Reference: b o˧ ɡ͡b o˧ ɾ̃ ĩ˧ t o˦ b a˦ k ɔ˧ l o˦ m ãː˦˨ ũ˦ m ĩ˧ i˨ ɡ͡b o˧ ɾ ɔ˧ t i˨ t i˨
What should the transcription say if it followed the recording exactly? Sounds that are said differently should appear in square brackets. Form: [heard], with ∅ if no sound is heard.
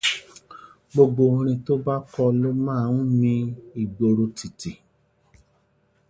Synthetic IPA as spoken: [ɡ͡b] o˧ ɡ͡b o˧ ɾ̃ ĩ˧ t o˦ b a˦ k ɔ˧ l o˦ m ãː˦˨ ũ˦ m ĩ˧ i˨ ɡ͡b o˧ ɾ [o˧] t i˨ t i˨